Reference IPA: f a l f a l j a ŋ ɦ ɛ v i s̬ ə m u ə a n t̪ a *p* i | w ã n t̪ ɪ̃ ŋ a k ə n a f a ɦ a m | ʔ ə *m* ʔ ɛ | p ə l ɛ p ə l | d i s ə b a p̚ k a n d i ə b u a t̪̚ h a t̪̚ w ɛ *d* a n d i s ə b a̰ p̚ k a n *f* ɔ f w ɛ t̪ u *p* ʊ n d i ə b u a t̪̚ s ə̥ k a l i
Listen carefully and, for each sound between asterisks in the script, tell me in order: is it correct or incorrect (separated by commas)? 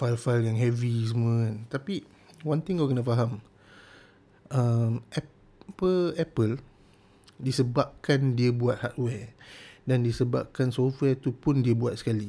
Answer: correct, correct, correct, incorrect, correct